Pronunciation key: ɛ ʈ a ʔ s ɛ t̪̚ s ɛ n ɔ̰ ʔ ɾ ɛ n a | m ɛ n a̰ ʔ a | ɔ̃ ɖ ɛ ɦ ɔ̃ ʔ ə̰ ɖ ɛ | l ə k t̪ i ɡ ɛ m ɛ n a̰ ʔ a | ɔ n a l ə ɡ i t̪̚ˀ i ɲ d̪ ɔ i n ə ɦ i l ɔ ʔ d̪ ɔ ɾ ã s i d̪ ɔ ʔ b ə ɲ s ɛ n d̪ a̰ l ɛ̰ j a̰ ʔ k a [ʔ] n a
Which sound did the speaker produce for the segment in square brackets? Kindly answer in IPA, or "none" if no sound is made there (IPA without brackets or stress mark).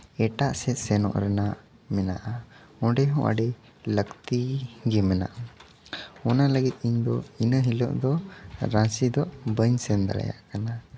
none